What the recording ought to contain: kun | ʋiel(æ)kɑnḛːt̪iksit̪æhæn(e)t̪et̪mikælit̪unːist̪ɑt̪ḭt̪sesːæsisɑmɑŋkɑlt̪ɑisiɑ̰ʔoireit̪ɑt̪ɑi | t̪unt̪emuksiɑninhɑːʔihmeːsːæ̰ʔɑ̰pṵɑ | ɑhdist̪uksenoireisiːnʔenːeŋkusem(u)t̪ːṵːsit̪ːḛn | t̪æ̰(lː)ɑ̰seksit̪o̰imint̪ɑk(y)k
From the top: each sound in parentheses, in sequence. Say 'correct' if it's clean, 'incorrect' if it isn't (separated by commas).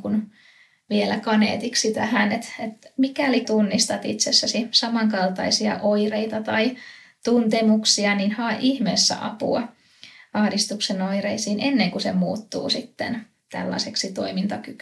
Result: correct, correct, incorrect, correct, correct